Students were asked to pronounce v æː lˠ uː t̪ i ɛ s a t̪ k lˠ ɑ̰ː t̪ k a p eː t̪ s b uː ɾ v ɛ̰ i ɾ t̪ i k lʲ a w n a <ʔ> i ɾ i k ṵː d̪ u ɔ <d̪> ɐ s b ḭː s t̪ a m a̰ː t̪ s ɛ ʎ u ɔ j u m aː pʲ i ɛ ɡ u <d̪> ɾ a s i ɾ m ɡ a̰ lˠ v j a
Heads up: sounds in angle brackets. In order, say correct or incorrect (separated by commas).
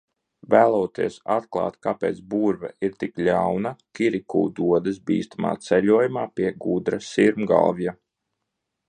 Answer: incorrect, correct, correct